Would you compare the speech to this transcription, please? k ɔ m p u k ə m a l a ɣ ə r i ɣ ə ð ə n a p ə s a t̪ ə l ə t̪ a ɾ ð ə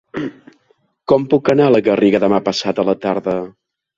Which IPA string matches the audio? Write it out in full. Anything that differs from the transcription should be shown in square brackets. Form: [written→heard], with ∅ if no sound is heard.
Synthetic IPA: k ɔ m p u k ə [m→n] a l [a→ə] ɣ ə r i ɣ ə ð ə [n→m] a p ə s a t̪ ə l ə t̪ a ɾ ð ə